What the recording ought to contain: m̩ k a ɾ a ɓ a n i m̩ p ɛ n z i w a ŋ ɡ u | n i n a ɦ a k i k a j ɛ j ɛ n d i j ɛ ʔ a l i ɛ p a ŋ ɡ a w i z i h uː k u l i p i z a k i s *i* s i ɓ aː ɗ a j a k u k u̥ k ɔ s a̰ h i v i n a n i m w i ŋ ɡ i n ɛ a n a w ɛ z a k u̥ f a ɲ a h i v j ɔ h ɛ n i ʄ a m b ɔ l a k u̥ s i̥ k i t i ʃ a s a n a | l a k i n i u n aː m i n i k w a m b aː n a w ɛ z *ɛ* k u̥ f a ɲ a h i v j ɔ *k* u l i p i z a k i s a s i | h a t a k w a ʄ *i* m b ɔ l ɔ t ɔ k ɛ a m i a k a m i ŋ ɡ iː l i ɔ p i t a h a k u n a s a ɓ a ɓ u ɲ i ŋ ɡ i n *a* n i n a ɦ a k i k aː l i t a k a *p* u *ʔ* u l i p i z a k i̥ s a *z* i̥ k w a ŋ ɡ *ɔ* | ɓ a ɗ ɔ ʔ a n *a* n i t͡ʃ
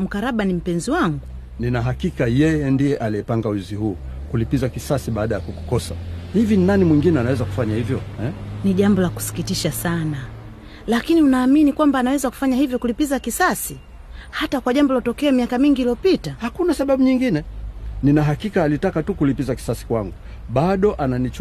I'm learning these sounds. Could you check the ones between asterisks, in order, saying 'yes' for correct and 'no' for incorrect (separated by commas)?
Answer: no, no, yes, no, no, no, no, no, no, yes